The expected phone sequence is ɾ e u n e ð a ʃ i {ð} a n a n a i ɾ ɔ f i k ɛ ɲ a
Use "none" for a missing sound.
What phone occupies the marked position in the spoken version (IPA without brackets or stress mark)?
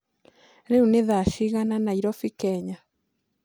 ɣ